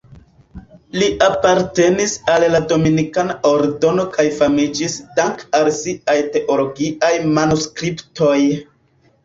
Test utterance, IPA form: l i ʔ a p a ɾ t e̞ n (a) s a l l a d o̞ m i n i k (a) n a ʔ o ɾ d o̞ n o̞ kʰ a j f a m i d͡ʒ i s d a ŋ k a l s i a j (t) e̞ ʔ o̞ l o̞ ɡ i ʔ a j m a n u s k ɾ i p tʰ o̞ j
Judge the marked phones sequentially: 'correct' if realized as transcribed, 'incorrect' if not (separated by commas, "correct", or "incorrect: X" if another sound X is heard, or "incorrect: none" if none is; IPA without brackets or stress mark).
incorrect: i, correct, correct